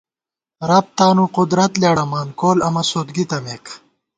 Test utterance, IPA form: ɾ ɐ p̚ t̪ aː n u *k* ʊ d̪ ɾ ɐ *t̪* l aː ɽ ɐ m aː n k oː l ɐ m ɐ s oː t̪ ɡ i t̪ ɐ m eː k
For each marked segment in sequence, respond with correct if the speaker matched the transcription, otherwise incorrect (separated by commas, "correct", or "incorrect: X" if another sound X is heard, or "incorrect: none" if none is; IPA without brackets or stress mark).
incorrect: q, correct